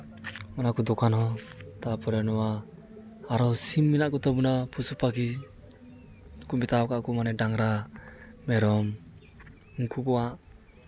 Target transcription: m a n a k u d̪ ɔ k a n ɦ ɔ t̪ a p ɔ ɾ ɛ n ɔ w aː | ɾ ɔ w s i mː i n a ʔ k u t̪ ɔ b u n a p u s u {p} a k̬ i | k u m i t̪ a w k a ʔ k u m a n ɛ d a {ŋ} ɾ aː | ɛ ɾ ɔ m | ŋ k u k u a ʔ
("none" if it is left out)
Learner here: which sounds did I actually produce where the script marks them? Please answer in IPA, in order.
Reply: p, ŋ

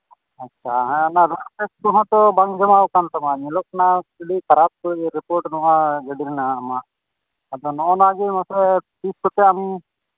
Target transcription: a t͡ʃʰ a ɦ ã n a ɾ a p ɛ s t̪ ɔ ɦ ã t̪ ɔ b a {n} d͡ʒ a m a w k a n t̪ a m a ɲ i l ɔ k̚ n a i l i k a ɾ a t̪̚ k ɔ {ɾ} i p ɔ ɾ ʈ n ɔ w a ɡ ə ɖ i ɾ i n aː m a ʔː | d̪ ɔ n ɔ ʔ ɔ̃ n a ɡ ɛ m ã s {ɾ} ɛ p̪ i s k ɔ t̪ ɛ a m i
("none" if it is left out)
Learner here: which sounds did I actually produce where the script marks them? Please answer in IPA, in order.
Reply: ŋ, ɾ, ɾ

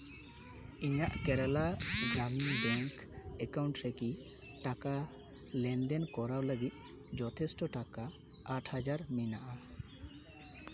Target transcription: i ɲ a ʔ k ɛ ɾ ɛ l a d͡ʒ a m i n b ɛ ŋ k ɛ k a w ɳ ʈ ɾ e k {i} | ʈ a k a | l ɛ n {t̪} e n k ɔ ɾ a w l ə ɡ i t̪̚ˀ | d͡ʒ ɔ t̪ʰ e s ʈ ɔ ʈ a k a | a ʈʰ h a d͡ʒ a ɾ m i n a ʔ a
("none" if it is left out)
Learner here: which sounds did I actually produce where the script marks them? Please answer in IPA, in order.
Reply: i, d̪

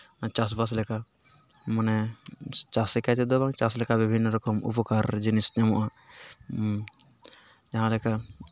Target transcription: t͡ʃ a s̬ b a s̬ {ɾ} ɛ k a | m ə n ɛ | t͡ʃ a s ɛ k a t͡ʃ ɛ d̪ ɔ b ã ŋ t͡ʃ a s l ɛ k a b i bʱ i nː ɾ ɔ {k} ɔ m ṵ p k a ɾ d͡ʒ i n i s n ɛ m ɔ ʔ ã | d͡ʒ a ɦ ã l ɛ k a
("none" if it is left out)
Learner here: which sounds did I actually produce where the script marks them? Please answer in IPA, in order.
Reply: l, k

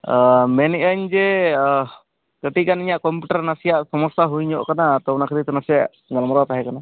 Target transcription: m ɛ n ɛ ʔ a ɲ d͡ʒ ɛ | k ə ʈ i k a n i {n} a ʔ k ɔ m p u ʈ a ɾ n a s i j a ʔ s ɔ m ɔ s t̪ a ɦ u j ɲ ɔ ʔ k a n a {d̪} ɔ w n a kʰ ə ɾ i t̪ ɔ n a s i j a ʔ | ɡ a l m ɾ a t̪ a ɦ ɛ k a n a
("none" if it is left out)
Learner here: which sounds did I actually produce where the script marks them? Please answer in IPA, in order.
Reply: ɲ, t̪

